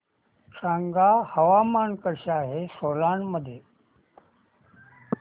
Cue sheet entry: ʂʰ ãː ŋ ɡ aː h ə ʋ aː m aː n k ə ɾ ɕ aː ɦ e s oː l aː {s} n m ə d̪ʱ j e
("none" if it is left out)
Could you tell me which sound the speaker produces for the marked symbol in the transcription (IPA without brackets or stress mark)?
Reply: none